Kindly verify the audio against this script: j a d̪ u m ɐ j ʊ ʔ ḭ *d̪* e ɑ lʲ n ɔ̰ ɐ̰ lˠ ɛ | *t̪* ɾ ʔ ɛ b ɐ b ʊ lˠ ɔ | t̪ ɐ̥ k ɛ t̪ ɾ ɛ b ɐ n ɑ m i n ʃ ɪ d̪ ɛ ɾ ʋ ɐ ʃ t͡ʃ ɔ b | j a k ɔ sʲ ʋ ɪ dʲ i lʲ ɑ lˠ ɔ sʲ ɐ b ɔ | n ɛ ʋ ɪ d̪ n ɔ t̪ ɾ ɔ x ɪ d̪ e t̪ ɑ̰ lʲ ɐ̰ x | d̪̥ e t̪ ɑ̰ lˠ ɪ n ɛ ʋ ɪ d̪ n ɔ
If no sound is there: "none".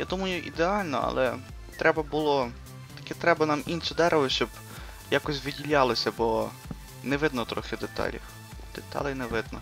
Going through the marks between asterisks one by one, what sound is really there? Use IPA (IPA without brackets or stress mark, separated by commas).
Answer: d̪, t̪